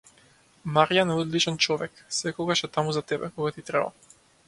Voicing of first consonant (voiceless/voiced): voiced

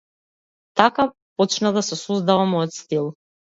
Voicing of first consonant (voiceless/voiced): voiceless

